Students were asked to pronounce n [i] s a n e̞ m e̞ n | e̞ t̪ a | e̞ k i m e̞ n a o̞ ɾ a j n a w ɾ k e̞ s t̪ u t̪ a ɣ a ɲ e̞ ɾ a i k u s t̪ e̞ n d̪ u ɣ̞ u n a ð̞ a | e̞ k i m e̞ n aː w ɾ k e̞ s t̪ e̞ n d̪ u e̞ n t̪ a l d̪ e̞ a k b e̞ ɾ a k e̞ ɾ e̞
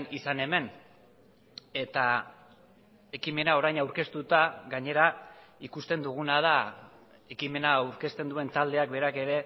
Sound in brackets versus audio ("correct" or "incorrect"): correct